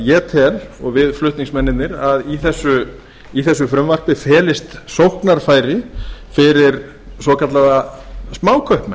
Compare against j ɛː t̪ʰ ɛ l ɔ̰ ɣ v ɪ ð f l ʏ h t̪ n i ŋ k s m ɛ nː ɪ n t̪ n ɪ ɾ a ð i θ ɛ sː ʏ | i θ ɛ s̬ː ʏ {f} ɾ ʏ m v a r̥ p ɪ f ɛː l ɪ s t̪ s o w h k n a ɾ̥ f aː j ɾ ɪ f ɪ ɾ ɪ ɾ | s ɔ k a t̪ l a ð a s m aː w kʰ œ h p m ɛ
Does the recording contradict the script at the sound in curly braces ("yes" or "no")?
no